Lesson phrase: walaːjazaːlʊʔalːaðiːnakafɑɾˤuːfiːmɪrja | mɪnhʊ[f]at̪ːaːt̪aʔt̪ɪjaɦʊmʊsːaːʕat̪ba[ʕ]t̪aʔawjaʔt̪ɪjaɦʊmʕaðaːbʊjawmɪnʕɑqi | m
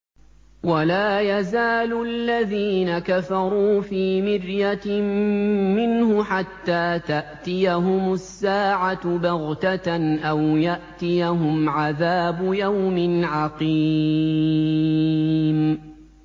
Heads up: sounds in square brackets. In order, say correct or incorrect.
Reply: incorrect, incorrect

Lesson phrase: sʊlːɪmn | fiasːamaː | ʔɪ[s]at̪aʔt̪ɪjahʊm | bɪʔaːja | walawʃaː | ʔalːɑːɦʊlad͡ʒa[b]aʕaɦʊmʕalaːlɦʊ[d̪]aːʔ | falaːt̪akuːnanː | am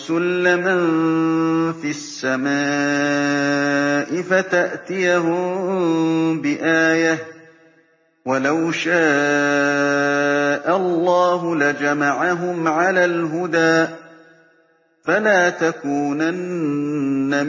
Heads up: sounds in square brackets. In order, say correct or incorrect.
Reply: incorrect, incorrect, correct

